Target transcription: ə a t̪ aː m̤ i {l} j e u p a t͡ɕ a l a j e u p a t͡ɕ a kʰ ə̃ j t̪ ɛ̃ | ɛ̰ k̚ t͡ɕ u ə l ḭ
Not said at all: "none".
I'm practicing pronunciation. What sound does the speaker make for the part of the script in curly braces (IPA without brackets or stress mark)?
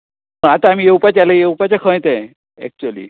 none